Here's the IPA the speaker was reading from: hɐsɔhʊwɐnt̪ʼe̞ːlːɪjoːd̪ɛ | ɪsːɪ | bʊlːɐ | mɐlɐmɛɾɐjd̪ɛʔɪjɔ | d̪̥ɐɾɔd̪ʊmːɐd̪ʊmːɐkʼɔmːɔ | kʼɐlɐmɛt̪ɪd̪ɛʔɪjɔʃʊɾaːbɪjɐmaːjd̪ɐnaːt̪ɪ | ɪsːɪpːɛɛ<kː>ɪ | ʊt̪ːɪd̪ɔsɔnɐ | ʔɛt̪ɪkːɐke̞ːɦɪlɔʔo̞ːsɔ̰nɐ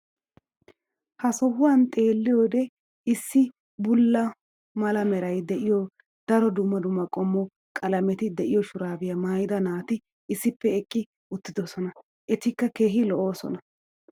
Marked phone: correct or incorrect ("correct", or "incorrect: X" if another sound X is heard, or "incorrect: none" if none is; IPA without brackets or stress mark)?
incorrect: kʼː